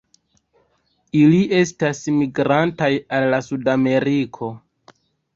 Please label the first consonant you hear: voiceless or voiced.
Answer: voiced